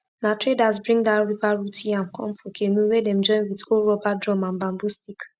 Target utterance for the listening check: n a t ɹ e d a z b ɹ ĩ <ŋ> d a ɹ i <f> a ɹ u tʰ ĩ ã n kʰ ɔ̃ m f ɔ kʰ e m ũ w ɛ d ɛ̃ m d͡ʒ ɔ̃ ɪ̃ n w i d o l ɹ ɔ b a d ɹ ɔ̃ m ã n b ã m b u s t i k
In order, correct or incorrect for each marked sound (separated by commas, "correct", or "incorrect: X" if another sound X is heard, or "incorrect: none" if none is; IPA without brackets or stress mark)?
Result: correct, incorrect: v